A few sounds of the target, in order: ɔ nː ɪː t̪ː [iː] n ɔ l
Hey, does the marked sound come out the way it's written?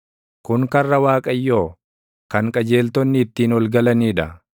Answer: yes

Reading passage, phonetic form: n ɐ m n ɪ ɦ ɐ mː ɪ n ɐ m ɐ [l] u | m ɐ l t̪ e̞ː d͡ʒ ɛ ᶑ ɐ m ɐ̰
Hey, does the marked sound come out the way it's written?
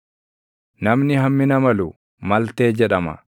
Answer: yes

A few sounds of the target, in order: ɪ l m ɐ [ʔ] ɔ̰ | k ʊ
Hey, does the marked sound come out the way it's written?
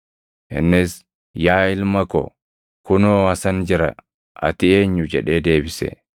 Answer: no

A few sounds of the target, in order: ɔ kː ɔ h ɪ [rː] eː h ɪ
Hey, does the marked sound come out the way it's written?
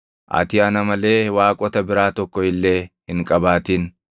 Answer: no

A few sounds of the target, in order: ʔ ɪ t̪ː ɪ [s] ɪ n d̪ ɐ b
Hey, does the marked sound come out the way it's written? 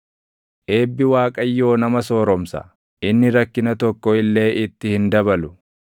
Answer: no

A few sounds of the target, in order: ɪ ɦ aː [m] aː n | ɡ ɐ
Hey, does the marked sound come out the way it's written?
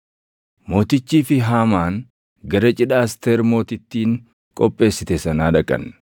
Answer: yes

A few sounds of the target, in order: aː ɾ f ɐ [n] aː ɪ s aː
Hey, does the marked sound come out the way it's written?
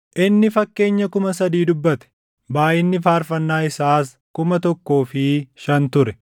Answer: no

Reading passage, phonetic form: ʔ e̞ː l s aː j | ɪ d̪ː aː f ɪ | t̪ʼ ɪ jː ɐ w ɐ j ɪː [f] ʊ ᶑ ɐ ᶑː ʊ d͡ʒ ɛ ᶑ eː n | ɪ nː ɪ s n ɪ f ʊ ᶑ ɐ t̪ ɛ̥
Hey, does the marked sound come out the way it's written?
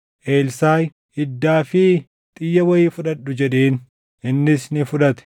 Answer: yes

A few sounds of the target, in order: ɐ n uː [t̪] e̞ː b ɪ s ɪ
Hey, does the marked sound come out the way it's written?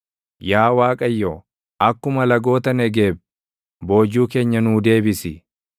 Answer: no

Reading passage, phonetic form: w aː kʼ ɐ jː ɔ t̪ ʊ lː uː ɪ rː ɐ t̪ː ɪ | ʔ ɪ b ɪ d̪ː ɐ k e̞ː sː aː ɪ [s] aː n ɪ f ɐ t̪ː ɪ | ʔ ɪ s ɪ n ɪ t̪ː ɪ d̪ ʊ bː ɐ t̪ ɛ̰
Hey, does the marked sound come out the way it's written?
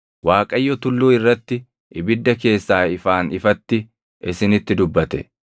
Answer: no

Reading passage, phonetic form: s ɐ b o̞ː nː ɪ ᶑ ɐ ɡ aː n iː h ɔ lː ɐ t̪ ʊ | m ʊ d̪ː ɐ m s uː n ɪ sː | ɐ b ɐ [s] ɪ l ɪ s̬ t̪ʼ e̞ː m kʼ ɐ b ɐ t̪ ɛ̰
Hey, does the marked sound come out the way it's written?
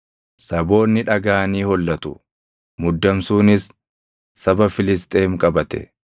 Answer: no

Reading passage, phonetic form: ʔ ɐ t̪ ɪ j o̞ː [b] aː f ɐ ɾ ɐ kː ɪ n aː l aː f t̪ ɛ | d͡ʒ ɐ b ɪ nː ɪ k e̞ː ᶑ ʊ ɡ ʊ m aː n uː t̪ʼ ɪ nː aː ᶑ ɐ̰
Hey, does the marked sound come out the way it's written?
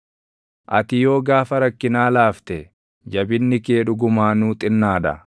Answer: no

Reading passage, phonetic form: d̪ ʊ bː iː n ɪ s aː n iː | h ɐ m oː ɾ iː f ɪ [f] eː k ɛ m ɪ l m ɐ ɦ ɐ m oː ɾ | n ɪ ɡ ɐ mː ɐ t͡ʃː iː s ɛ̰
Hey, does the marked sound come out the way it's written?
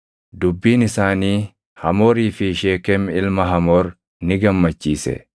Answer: no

